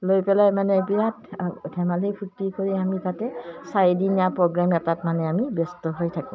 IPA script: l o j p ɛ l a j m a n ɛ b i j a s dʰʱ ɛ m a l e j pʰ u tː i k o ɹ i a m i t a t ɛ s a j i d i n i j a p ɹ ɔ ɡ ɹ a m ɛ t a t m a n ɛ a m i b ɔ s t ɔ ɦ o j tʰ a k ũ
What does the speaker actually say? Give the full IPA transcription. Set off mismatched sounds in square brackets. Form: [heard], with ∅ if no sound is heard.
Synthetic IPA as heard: l o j p ɛ l a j m a n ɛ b i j a [t] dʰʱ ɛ m a l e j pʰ u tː i k o ɹ i a m i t a t ɛ s a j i d i n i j a p ɹ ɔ ɡ ɹ a m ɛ t a t m a n ɛ a m i b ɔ s t ɔ ɦ o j tʰ a k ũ